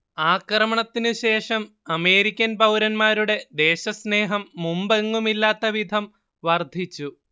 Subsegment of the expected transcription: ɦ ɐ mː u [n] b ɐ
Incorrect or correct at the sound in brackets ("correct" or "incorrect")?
incorrect